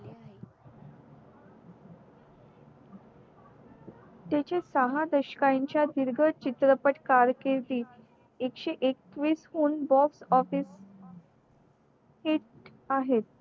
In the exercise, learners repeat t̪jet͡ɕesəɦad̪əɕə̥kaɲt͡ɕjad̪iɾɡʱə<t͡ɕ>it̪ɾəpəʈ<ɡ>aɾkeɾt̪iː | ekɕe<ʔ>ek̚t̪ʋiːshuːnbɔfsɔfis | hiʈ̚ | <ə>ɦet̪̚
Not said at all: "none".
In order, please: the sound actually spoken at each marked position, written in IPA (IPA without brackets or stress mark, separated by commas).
t͡ɕ, k, ʔ, a